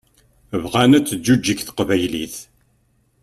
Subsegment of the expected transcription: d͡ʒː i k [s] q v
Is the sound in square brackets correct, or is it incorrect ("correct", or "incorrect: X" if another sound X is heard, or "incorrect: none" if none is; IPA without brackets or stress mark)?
incorrect: θ